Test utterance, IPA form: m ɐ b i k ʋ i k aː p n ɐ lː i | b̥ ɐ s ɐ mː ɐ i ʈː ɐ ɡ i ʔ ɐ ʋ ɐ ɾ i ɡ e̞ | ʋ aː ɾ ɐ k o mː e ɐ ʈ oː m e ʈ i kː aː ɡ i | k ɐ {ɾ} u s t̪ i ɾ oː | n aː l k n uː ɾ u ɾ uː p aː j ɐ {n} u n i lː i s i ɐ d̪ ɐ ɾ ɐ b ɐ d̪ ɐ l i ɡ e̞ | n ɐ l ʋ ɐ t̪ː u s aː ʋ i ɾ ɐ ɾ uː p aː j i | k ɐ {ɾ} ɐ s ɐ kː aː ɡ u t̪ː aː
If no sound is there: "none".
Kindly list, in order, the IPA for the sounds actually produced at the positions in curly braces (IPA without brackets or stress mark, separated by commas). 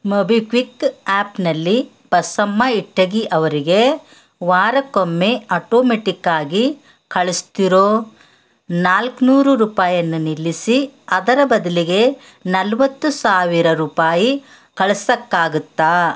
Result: ɭ, nː, ɭ